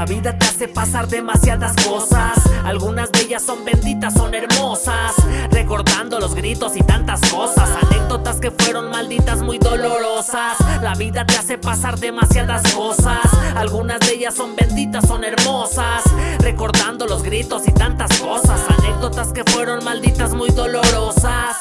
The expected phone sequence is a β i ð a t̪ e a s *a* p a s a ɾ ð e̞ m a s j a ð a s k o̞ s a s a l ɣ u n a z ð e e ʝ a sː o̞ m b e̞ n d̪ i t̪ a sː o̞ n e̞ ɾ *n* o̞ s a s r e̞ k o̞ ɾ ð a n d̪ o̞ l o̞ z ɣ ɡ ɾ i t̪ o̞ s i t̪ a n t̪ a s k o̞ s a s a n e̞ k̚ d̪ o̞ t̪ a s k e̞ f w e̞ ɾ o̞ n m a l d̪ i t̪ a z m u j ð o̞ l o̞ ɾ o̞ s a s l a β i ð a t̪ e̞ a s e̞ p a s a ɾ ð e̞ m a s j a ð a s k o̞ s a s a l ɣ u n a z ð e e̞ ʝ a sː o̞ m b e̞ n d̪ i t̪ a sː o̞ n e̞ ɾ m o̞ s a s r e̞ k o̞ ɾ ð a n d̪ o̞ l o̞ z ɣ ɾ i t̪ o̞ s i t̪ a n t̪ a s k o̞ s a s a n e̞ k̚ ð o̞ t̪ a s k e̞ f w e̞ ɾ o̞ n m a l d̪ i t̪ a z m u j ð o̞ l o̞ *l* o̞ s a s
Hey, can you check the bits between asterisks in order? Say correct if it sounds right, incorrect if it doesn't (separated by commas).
incorrect, incorrect, incorrect